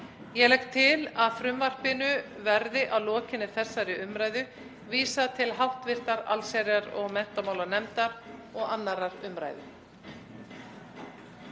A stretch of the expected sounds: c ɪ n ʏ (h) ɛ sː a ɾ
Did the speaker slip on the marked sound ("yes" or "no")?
yes